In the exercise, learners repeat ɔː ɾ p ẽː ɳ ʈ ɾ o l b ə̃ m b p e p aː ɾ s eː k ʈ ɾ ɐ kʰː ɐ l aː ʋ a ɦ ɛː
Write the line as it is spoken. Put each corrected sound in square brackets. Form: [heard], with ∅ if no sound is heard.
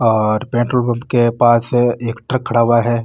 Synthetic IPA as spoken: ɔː ɾ p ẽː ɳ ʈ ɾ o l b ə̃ m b [k] e p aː [∅] s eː k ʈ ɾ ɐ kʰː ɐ [ɽ] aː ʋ a ɦ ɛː